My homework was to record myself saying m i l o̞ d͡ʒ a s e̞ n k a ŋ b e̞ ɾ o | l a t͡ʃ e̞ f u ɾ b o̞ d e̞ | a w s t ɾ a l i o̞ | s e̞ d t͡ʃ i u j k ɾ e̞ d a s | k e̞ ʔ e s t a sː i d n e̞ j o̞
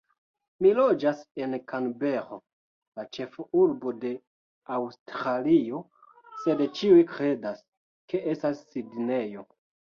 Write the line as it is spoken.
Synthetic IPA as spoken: m i l o̞ d͡ʒ a s e̞ n k a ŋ b e̞ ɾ o | l a t͡ʃ e̞ f u ɾ b o̞ d e̞ | a w s t ɾ a l i o̞ | s e̞ d t͡ʃ i u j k ɾ e̞ d a s | k e̞ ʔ e s t a sː i d n e̞ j o̞

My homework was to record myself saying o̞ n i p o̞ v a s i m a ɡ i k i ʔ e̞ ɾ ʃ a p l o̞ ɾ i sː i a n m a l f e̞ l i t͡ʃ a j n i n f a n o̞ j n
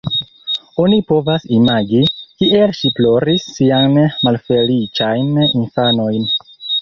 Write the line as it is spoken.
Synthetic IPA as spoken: o̞ n i p o̞ v a s i m a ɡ i k i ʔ e̞ l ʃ i p l o̞ ɾ i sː i a n m a l f e̞ l i t͡ʃ a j n i n f a n o̞ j n

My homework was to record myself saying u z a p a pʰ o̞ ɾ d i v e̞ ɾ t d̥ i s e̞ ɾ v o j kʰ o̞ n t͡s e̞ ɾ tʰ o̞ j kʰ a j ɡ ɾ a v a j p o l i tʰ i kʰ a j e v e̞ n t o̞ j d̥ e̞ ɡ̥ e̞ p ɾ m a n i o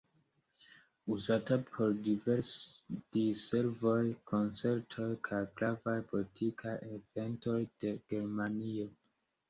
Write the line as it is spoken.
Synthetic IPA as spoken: u z a t a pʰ o̞ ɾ d i v e̞ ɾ s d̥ i s e̞ ɾ v o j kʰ o̞ n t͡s e̞ ɾ tʰ o̞ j kʰ a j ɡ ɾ a v a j p o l i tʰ i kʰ a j e v e̞ n t o̞ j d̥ e̞ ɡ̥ e̞ ɾ m a n i o

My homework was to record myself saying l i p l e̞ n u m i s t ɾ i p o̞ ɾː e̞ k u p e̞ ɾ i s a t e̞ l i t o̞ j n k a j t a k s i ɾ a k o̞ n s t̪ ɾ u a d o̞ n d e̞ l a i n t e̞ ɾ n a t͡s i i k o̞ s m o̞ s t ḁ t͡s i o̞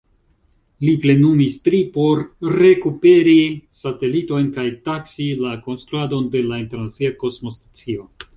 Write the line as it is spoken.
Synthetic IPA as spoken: l i p l e̞ n u m i s t ɾ i p o̞ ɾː e̞ k u p e̞ ɾ i s a t e̞ l i t o̞ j n k a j t a k s i l a k o̞ n s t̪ ɾ u a d o̞ n d e̞ l a i n t e̞ ɾ n a t͡s i a k o̞ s m o̞ s t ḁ t͡s i o̞

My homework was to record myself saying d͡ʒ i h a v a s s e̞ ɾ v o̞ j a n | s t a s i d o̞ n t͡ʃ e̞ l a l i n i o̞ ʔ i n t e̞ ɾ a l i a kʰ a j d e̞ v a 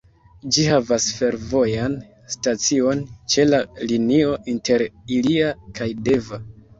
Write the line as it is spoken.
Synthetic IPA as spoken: d͡ʒ i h a v a s f e̞ ɾ v o̞ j a n | s t a t͡s i o̞ n t͡ʃ e̞ l a l i n i o̞ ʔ i n t e̞ ɾ i l i a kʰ a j d e̞ v a

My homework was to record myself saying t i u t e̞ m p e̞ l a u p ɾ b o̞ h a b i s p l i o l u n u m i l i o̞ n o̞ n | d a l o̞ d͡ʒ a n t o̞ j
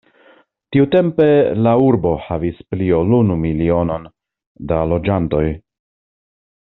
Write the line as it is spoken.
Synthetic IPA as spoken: t i u t e̞ m p e̞ l a u ɾ b o̞ h a v i s p l i o l u n u m i l i o̞ n o̞ n | d a l o̞ d͡ʒ a n t o̞ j

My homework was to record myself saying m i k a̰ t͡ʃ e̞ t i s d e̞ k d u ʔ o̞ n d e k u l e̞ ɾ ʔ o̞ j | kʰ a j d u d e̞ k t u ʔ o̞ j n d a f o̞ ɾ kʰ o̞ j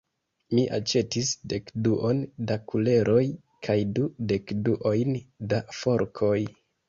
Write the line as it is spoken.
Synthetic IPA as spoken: m i ʔ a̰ t͡ʃ e̞ t i s d e̞ k d u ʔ o̞ n d a k u l e̞ ɾ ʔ o̞ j | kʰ a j d u d e̞ k d u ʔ o̞ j n d a f o̞ ɾ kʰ o̞ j

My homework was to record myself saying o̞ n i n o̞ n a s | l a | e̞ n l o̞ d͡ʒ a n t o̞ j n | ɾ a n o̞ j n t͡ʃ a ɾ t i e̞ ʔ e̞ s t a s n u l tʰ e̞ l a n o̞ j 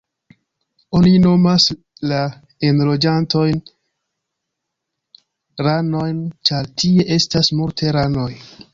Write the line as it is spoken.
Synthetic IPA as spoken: o̞ n i n o̞ m a s | l a | e̞ n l o̞ d͡ʒ a n t o̞ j n | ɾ a n o̞ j n t͡ʃ a ɾ t i e̞ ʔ e̞ s t a s m u l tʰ e̞ ɾ a n o̞ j

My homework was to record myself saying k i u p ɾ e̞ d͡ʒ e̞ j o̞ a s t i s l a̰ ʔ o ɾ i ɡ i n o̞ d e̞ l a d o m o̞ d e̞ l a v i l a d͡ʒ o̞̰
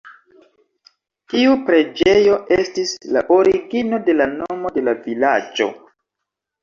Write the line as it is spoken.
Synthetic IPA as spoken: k i u p ɾ e̞ d͡ʒ e̞ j o̞ e s t i s l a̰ ʔ o ɾ i ɡ i n o̞ d e̞ l a n o m o̞ d e̞ l a v i l a d͡ʒ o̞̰

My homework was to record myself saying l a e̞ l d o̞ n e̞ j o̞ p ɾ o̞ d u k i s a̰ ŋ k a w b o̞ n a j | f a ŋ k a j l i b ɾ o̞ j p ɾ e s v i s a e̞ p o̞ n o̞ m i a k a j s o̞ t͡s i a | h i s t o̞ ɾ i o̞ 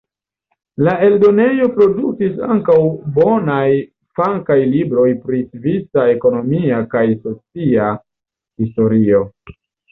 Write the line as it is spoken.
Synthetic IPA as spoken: l a e̞ l d o̞ n e̞ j o̞ p ɾ o̞ d u k i s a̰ ŋ k a w b o̞ n a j | f a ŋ k a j l i b ɾ o̞ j p ɾ i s v i s a e̞ k o̞ n o̞ m i a k a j s o̞ t͡s i a | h i s t o̞ ɾ i o̞

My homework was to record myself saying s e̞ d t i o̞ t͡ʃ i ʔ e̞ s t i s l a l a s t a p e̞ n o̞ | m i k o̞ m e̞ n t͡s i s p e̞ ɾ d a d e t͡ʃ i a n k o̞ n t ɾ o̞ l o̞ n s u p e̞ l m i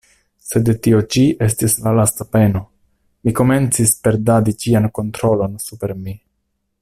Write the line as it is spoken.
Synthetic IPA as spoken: s e̞ d t i o̞ t͡ʃ i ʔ e̞ s t i s l a l a s t a p e̞ n o̞ | m i k o̞ m e̞ n t͡s i s p e̞ ɾ d a d i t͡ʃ i a n k o̞ n t ɾ o̞ l o̞ n s u p e̞ ɾ m i

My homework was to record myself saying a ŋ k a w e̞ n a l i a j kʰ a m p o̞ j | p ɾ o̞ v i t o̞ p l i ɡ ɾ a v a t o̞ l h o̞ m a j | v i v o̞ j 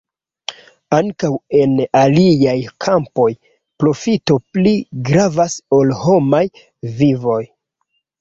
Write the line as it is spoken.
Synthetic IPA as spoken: a ŋ k a w e̞ n a l i a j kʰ a m p o̞ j | p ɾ o̞ f i t o̞ p l i ɡ ɾ a v a s o̞ l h o̞ m a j | v i v o̞ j

